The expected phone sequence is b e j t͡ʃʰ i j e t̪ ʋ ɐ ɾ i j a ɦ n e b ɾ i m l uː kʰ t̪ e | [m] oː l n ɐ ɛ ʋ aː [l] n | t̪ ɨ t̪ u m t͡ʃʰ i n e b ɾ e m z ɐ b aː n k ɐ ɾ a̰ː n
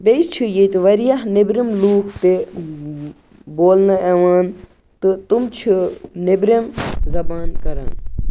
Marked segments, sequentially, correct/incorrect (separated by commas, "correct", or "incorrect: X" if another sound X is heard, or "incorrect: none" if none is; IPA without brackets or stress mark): incorrect: b, incorrect: none